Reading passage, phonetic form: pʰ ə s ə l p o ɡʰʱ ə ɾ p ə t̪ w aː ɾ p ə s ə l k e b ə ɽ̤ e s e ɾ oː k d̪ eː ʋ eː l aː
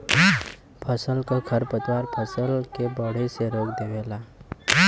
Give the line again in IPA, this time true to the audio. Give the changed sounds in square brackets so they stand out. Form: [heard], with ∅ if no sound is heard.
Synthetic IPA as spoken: pʰ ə s ə l [k] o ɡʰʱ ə ɾ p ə t̪ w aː ɾ [pʰ] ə s ə l k e b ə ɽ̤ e s e ɾ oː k d̪ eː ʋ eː l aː